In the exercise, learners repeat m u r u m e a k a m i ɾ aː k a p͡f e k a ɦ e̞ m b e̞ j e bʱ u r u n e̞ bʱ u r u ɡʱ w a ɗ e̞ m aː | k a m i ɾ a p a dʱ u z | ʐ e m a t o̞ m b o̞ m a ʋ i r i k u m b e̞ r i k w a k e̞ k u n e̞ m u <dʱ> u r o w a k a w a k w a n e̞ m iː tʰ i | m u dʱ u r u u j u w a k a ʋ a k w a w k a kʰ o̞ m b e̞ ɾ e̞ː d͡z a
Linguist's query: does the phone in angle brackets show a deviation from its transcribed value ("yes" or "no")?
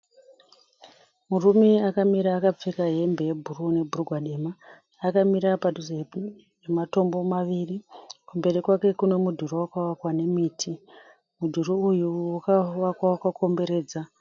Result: no